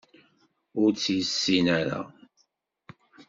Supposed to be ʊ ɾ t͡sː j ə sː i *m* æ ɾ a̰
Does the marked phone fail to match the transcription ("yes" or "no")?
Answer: yes